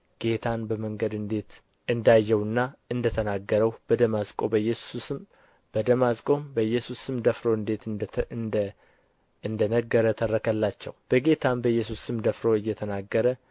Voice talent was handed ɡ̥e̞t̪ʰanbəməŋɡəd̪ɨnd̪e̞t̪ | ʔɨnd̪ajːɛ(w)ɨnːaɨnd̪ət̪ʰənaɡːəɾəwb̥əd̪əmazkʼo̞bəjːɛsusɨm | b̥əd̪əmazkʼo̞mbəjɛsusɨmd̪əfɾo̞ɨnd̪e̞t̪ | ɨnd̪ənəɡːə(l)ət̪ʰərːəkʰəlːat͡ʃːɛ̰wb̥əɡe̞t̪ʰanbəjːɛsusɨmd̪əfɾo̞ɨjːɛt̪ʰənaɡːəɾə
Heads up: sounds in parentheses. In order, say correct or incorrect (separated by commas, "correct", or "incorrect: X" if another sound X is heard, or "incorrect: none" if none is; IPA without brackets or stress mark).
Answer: correct, incorrect: ɾ